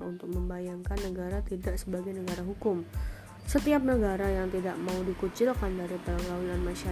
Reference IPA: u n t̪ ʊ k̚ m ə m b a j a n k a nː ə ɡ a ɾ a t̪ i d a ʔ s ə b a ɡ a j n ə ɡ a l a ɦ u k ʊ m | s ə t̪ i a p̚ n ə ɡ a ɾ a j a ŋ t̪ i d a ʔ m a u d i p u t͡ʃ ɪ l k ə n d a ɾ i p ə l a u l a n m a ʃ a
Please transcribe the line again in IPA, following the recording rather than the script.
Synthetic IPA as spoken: u n t̪ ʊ k̚ m ə m b a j a ŋ k a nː ə ɡ a ɾ a t̪ i d a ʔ s ə b a ɡ a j n ə ɡ a ɾ a ɦ u k ʊ m | s ə t̪ i a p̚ n ə ɡ a ɾ a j a ŋ t̪ i d a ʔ m a u d i k u t͡ʃ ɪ l k a n d a ɾ i p ə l a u l a n m a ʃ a